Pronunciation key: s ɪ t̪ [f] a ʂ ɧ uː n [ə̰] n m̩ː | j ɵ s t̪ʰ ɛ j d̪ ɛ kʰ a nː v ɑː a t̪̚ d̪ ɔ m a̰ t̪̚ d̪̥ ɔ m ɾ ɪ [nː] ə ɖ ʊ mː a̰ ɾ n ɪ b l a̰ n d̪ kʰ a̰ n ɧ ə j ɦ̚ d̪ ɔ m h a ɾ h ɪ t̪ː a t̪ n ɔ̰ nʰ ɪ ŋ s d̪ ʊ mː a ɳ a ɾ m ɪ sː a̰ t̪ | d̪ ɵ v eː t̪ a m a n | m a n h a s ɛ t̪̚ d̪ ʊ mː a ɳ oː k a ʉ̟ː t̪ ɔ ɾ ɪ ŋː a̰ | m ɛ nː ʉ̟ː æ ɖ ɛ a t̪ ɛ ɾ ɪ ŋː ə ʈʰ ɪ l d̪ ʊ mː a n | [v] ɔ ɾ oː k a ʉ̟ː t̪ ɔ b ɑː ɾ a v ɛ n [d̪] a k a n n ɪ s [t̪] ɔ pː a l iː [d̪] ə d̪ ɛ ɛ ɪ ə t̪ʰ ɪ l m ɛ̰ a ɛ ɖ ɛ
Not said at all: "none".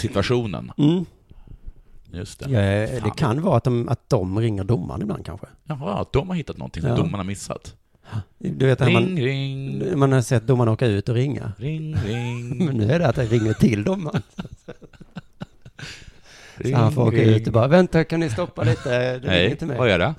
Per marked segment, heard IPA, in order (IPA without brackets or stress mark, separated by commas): v, ə̰, ŋː, f, t̪, t̪, t̪